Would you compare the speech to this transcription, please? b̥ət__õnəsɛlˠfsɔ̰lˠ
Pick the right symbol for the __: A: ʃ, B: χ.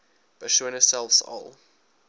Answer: A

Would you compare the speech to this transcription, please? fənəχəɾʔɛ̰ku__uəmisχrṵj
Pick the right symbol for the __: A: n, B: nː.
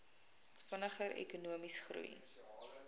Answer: A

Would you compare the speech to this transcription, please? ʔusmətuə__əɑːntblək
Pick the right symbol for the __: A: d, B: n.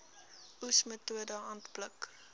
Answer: A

